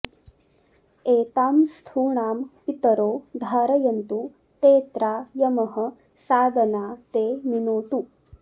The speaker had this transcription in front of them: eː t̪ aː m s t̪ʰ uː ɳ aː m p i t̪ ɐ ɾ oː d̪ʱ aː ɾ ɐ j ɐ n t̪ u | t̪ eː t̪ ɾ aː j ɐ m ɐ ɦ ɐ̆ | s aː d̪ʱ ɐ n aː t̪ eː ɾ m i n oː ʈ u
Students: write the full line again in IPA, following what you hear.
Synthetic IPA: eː t̪ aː m s t̪ʰ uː ɳ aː m p i t̪ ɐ ɾ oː d̪ʱ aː ɾ ɐ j ɐ n t̪ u | t̪ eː t̪ ɾ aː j ɐ m ɐ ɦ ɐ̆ | s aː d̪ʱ ɐ n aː t̪ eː m i n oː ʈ u

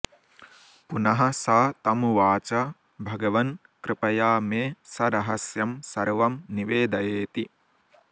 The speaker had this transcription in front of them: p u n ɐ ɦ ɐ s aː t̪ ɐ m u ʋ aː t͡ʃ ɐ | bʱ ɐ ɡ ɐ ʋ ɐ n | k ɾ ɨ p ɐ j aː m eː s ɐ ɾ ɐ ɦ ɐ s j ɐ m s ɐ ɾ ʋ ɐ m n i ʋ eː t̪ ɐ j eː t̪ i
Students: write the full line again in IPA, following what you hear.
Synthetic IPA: p u n ɐ ɦ ɐ s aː t̪ ɐ m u ʋ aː t͡ʃ ɐ | bʱ ɐ ɡ ɐ ʋ ɐ n | k ɾ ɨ p ɐ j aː m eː s ɐ ɾ ɐ ɦ ɐ s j ɐ m s ɐ ɾ ʋ ɐ m n i ʋ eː d̪ ɐ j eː t̪ i

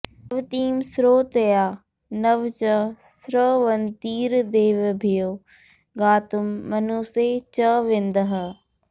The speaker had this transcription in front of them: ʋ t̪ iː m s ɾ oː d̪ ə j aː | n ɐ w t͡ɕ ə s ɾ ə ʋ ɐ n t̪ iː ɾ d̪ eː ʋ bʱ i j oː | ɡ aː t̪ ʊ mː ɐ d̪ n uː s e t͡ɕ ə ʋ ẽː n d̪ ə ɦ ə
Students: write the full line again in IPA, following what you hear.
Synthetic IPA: ʋ t̪ iː m s ɾ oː t̪ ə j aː | n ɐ ʋ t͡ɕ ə s ɾ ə ʋ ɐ n t̪ iː ɾ d̪ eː ʋ bʱ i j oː | ɡ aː t̪ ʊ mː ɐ n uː s e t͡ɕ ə ʋ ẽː n d̪ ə ɦ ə

